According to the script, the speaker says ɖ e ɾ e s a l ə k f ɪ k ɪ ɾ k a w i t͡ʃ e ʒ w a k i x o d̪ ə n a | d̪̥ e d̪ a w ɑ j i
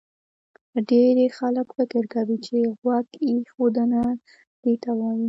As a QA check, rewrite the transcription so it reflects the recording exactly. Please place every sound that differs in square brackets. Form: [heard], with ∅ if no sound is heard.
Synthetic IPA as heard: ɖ e ɾ e [x] a l ə k f ɪ k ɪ ɾ k a w i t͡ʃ e [ɣ] w a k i x o d̪ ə n a | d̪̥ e [t̪] a w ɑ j i

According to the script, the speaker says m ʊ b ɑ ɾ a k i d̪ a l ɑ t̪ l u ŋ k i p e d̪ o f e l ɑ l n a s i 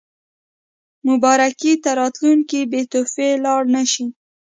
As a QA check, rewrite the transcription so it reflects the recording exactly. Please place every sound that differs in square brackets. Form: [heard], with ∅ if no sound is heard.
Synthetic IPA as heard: m ʊ b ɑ ɾ a k i [t̪] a [ɾ] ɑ t̪ l u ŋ k i [b] e [t̪] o f e l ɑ [ɽ] n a [ʃ] i

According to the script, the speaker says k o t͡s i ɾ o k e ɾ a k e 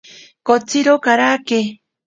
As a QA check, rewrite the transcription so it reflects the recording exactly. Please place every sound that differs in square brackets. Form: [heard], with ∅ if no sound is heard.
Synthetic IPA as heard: k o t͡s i ɾ o k [a] ɾ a k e

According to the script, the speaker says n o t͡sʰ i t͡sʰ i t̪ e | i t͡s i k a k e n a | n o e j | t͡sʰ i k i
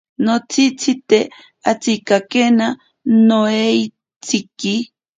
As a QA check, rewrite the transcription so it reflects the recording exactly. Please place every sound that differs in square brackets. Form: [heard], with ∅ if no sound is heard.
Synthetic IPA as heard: n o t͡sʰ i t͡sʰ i t̪ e | [a] t͡s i k a k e n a | n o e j | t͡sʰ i k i

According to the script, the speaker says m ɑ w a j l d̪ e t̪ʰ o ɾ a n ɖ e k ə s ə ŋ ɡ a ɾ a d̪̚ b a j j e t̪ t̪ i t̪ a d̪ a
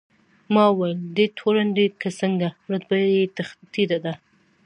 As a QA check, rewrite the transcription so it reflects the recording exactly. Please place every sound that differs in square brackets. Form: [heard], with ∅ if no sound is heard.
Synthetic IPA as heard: m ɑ w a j l d̪ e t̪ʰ o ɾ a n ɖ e k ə s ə ŋ ɡ a ɾ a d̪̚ b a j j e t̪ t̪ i [d̪] a d̪ a

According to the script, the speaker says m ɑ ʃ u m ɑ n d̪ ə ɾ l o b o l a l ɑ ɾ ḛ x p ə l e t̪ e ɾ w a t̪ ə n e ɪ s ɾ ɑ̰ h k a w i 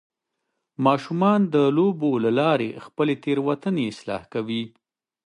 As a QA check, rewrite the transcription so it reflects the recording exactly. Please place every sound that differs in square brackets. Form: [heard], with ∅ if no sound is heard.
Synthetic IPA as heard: m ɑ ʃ u m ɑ n d̪ ə [∅] l o b o l a l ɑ ɾ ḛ x p ə l e t̪ e ɾ w a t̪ ə n e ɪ s [l] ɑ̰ h k a w i

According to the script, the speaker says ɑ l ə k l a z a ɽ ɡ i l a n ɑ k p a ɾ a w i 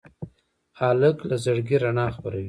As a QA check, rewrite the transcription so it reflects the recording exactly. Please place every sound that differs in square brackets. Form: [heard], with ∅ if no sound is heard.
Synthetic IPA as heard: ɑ l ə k l a z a ɽ ɡ i [ɾ] a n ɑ [x] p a ɾ a w i

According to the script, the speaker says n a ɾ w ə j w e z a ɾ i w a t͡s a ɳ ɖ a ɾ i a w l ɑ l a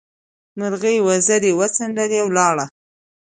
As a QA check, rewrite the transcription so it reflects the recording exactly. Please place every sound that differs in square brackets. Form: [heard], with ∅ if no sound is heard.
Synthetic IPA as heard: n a ɾ [ɣ] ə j w [a] z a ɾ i w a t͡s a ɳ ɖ a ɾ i a w l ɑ [ɽ] a

